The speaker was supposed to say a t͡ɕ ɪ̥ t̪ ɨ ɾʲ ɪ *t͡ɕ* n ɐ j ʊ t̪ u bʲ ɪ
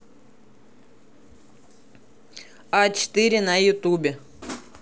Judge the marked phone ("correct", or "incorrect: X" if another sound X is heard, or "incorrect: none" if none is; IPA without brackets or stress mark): incorrect: none